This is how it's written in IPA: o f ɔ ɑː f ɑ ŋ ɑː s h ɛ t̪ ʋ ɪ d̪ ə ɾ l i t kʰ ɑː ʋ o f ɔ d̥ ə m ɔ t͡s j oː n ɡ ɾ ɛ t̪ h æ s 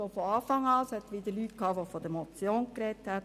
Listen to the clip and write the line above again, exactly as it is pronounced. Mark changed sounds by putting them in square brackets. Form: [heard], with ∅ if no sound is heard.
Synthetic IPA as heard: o f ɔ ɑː f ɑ ŋ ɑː s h ɛ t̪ ʋ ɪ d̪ ə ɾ l [y] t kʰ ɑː ʋ o f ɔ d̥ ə m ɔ t͡s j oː n [k] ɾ ɛ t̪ h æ [t]